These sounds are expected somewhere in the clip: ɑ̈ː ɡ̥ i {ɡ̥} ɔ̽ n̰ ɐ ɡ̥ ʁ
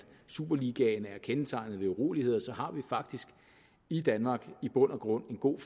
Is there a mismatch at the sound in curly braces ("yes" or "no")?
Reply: yes